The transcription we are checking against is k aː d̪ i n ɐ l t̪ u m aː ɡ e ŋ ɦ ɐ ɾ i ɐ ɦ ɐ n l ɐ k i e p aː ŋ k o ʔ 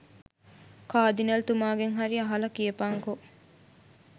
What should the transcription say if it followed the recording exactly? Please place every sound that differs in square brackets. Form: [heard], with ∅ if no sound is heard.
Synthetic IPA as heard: k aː d̪ i n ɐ l t̪ u m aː ɡ e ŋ ɦ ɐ ɾ i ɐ ɦ ɐ [∅] l ɐ k i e p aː ŋ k o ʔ